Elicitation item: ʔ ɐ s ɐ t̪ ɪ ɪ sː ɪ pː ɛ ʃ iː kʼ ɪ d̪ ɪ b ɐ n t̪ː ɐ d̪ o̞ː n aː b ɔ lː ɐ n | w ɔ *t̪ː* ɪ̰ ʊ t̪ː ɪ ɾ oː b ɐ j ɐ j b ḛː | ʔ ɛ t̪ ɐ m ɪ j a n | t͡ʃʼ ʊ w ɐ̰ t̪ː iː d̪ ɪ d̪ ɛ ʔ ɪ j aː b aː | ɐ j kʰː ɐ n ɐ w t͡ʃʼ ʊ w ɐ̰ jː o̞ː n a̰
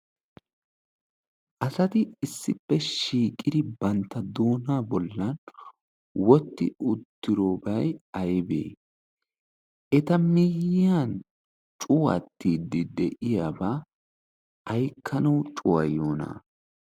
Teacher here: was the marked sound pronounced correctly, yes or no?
yes